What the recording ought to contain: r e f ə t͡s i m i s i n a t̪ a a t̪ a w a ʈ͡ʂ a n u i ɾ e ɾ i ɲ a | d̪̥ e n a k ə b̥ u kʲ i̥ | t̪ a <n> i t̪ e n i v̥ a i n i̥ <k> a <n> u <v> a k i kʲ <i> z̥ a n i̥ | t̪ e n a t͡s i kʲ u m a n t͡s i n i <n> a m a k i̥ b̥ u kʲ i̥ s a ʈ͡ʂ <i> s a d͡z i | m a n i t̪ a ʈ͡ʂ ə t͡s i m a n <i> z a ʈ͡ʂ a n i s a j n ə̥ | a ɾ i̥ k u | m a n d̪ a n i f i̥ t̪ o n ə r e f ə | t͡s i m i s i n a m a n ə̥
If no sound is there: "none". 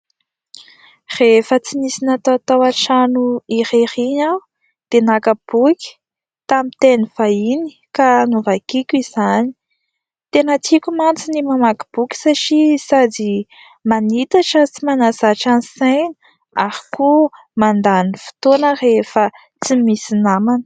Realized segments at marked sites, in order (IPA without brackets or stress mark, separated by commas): m, k, n, v, i, m, i, a